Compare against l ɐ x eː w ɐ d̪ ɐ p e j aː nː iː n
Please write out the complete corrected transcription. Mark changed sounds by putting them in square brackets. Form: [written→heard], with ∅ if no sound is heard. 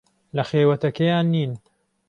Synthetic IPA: l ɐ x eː w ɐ [d̪→t̪] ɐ [p→k] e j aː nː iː n

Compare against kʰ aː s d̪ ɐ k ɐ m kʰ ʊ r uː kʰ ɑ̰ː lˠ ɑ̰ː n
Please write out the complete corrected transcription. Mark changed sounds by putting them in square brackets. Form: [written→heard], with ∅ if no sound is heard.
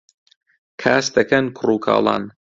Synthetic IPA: kʰ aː s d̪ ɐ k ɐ [m→n] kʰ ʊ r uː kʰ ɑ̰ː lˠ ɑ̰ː n

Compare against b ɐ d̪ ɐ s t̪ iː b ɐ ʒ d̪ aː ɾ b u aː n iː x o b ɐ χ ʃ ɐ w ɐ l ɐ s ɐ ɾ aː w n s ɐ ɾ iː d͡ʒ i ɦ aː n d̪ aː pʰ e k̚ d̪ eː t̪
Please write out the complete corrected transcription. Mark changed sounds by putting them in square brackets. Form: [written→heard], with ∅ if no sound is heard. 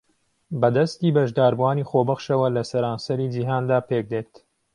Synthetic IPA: b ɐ d̪ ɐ s t̪ iː b ɐ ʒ d̪ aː ɾ b u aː n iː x o b ɐ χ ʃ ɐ w ɐ l ɐ s ɐ ɾ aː [w→∅] n s ɐ ɾ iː d͡ʒ i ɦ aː n d̪ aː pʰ e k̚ d̪ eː t̪

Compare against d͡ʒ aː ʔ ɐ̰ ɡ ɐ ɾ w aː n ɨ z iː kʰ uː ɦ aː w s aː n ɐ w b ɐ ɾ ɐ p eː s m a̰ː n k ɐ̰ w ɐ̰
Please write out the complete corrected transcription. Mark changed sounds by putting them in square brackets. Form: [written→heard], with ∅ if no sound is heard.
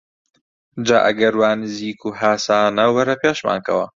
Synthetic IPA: d͡ʒ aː ʔ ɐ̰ ɡ ɐ ɾ w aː n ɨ z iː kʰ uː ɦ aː [w→∅] s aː n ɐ w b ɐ ɾ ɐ p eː [s→ʃ] m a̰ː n k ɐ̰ w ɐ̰

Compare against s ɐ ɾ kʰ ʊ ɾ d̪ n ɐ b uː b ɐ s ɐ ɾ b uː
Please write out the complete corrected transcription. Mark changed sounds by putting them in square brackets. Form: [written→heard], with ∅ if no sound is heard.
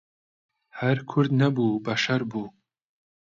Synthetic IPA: [s→h] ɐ ɾ kʰ ʊ ɾ d̪ n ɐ b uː b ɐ [s→ʃ] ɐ ɾ b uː

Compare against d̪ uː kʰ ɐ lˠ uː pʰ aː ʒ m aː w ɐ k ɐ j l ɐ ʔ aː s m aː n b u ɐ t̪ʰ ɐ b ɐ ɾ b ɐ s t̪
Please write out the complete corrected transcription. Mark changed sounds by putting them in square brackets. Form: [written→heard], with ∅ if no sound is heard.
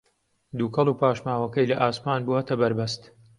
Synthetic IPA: d̪ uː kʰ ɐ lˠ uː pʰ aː [ʒ→ʃ] m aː w ɐ k ɐ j l ɐ ʔ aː s m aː n b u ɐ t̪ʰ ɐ b ɐ ɾ b ɐ s t̪

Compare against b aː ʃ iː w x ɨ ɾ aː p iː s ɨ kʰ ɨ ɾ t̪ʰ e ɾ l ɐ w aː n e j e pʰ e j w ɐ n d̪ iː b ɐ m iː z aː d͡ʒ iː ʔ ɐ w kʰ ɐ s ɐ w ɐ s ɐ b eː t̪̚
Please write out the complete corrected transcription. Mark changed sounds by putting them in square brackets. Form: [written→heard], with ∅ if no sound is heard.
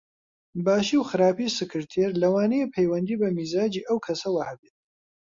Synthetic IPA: b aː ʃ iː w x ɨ ɾ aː p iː s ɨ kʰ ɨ ɾ t̪ʰ e ɾ l ɐ w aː n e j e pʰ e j w ɐ n d̪ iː b ɐ m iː z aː d͡ʒ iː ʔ ɐ w kʰ ɐ s ɐ w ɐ [s→h] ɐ b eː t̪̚

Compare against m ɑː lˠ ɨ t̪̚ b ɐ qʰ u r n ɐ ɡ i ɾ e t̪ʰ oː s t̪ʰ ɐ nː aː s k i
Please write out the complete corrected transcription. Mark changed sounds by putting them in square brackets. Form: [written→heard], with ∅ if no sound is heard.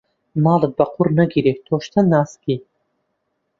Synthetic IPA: m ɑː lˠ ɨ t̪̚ b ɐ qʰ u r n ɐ ɡ i ɾ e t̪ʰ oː [s→ʃ] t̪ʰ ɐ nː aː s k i

